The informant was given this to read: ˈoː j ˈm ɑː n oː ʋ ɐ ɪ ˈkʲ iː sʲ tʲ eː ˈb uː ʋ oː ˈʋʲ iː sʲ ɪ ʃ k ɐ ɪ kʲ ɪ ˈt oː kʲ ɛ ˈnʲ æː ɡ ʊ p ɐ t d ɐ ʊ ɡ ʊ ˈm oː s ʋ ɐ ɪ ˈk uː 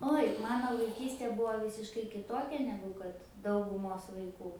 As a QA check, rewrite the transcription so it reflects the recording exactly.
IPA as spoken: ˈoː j ˈm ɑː n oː ʋ ɐ ɪ ˈkʲ iː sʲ tʲ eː ˈb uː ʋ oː ˈʋʲ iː sʲ ɪ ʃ k ɐ ɪ kʲ ɪ ˈt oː kʲ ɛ ˈnʲ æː ɡ ʊ k ɐ t d ɐ ʊ ɡ ʊ ˈm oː s ʋ ɐ ɪ ˈk uː